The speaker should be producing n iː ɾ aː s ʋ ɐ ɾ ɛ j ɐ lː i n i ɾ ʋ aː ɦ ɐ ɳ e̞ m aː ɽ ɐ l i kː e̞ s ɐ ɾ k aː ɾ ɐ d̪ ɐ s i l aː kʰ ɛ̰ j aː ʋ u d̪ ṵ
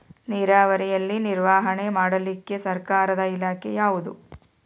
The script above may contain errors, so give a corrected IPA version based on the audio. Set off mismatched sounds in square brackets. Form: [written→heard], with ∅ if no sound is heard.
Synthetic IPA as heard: n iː ɾ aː [s→∅] ʋ ɐ ɾ ɛ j ɐ lː i n i ɾ ʋ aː ɦ ɐ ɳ e̞ m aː ɽ ɐ l i kː e̞ s ɐ ɾ k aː ɾ ɐ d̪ ɐ [s→∅] i l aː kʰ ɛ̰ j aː ʋ u d̪ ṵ